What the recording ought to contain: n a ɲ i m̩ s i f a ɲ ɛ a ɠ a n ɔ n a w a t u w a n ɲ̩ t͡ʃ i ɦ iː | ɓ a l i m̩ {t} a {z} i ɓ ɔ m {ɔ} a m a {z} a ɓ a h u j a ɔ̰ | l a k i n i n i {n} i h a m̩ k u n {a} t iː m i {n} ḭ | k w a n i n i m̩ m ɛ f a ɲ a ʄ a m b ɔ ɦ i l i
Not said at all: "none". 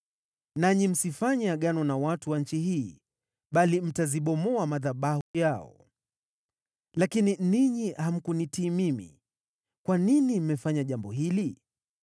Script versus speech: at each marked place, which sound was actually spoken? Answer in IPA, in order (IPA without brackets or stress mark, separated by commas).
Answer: t, z, ɔ, ð, ɲ, i, m